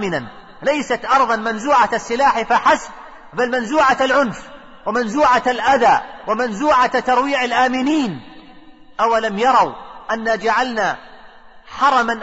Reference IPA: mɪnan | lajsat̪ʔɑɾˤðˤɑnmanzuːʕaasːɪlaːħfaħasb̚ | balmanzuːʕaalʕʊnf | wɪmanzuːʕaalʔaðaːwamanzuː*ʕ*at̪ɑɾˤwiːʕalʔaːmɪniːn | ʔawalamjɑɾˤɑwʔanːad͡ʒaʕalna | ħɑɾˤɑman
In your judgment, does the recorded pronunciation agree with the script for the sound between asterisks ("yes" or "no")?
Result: yes